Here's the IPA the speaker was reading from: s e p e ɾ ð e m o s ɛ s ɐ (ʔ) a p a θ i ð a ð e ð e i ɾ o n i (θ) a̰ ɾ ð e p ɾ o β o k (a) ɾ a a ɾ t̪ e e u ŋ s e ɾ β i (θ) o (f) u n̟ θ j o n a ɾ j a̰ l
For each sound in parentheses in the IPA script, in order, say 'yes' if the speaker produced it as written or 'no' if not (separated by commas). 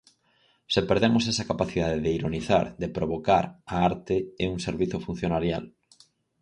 no, yes, yes, yes, yes